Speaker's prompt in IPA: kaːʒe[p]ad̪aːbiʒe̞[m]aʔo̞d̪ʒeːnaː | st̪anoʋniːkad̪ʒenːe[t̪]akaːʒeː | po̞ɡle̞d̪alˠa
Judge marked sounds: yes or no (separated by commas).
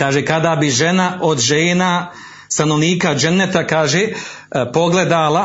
no, no, yes